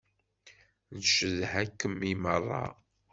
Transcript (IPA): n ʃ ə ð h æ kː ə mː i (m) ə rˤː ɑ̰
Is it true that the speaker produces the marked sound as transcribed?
yes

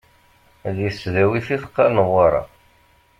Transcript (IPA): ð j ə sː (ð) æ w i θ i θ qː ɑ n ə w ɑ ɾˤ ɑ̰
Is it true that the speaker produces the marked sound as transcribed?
yes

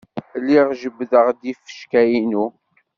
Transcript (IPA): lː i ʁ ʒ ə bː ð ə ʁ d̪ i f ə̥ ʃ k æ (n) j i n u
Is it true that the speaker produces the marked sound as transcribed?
no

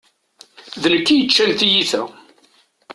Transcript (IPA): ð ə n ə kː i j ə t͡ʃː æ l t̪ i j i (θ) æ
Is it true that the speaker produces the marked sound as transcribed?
yes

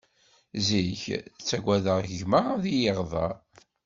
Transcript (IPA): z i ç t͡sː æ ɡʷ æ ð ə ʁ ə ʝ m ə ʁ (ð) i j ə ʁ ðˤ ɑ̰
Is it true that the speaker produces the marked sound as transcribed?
yes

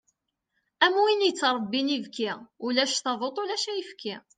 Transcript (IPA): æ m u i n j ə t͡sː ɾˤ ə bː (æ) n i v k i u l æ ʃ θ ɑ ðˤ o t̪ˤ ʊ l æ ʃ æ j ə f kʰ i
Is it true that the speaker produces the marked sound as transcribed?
no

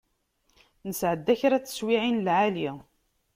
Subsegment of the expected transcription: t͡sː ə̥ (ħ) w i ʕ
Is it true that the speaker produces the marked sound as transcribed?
no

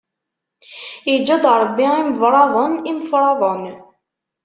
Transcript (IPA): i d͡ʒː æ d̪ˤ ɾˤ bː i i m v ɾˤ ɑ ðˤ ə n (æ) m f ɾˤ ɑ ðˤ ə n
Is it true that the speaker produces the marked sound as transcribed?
no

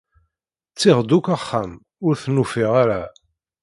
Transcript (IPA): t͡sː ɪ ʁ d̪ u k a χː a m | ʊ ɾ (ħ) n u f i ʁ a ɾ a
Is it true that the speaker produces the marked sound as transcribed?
no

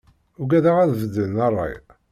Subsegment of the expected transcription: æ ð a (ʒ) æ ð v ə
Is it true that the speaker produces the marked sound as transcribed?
no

